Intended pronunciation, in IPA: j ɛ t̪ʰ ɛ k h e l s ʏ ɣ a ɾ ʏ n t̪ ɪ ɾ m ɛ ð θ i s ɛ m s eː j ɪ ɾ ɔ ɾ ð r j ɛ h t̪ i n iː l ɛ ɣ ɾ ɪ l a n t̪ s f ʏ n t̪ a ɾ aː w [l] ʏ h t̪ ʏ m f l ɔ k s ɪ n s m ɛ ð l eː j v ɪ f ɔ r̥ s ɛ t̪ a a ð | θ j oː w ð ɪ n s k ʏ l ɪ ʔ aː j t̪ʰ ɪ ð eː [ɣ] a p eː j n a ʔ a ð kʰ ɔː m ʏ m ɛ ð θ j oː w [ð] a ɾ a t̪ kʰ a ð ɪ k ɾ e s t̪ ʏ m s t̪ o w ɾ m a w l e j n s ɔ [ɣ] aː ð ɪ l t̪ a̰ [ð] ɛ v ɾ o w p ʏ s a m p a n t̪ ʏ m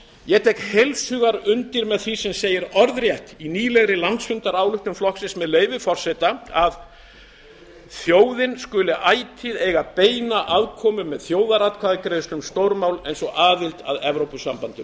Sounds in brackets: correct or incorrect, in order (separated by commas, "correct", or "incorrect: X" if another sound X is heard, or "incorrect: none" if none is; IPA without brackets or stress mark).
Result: correct, correct, correct, correct, correct